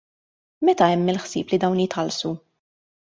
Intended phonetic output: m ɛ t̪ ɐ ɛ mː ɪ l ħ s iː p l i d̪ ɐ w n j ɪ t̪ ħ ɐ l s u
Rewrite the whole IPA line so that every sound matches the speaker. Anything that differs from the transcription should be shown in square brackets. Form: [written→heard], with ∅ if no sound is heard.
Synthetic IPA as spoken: m ɛ t̪ ɐ ɛ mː ɪ l ħ s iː p l i d̪ ɐ w n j ɪ t̪ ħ ɐ l s u

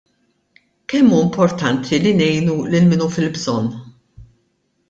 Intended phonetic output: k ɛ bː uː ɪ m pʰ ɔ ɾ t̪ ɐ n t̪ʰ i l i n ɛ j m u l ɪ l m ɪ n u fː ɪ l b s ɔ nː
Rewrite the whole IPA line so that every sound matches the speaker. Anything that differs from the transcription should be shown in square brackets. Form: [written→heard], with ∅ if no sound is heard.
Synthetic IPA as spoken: k ɛ [bː→mː] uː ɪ m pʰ ɔ ɾ t̪ ɐ n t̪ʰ i l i n ɛ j [m→n] u l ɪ l m ɪ n u [fː→f] ɪ l b [s→z] ɔ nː

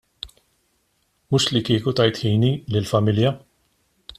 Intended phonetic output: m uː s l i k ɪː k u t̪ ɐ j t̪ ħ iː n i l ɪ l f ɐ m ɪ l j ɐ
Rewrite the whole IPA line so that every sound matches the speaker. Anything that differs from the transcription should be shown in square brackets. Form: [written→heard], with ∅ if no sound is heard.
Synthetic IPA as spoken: m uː [s→ʃ] l i k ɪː k u t̪ ɐ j t̪ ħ iː n i l ɪ l f ɐ m ɪ l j ɐ

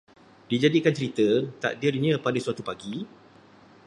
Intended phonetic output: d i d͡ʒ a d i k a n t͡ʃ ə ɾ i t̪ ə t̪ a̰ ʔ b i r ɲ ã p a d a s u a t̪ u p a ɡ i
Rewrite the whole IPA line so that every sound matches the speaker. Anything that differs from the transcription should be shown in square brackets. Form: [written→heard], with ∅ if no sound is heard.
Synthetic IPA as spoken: d i d͡ʒ a d i k a n t͡ʃ ə ɾ i t̪ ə t̪ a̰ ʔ [b→d] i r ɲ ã p a d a s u a t̪ u p a ɡ i

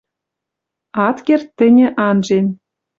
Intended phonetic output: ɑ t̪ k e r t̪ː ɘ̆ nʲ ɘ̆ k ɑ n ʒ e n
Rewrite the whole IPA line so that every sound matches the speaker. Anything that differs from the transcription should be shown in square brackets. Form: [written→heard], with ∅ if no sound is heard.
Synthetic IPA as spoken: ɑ t̪ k e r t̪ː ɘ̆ nʲ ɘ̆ [k→ʔ] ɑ n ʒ e n

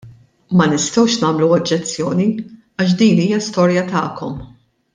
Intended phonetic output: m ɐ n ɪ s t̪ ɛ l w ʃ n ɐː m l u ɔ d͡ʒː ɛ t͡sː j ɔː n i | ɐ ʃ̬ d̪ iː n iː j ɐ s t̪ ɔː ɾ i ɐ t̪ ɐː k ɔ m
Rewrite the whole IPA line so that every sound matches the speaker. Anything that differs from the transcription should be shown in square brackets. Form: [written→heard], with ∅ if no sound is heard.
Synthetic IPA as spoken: m ɐ n ɪ s t̪ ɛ [l→∅] w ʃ n ɐː m l u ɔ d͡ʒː ɛ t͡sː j ɔː n i | ɐ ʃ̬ d̪ iː n iː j ɐ s t̪ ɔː ɾ [i→j] ɐ t̪ ɐː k ɔ m

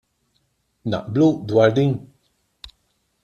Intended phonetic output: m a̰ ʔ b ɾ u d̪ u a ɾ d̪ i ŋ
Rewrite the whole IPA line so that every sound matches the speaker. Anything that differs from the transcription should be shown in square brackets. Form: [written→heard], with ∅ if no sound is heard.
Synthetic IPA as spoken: [m→n] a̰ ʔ b [ɾ→l] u d̪ [u→w] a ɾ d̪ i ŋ

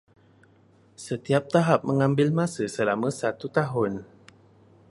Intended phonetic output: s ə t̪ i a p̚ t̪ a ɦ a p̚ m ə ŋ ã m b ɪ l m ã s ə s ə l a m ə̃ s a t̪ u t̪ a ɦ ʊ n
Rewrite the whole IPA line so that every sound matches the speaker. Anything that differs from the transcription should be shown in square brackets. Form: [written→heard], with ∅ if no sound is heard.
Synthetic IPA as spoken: s ə t̪ i a p̚ t̪ a ɦ a p̚ m ə ŋ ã m b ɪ l m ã s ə s ə l a m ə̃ s a t̪ u t̪ a ɦ ʊ n

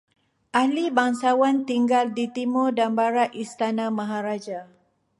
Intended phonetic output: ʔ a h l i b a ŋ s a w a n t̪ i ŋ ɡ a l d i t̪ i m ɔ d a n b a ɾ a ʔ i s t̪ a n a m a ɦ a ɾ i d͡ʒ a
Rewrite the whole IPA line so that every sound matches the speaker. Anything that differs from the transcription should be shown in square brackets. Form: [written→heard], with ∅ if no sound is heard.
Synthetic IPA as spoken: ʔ a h l i b a ŋ s a w a n t̪ i ŋ ɡ a l d i t̪ i m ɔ d a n b a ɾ a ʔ i s t̪ a n a m a ɦ a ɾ [i→a] d͡ʒ a

